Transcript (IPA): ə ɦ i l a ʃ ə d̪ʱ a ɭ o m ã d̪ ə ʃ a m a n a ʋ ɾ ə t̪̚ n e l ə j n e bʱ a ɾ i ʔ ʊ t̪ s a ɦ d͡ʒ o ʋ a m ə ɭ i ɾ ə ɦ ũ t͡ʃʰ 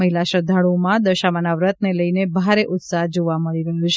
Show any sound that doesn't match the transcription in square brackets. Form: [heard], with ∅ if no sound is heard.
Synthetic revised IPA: ə ɦ i l a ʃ ə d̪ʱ a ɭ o m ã d̪ ə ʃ a m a n a ʋ ɾ ə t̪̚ n e l ə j n e bʱ a ɾ [e] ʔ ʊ t̪ s a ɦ d͡ʒ o ʋ a m ə ɭ i ɾ ə ɦ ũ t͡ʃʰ